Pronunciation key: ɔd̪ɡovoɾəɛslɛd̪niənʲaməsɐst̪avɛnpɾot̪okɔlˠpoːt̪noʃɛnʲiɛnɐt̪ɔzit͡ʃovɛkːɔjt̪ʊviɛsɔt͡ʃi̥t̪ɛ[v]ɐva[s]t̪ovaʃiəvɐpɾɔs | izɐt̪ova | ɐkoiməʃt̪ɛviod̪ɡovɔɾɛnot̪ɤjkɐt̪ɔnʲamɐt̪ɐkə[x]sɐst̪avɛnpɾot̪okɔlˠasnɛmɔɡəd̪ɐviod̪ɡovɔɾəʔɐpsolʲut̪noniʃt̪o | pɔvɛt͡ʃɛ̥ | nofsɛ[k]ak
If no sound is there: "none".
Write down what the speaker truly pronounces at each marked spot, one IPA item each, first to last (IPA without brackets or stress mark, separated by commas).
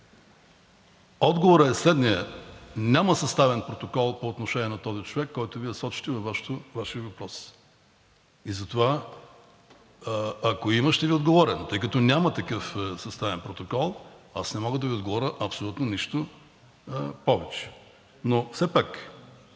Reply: v, ʃ, f, p